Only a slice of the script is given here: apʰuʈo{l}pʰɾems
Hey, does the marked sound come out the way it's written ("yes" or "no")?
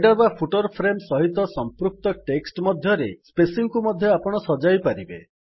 no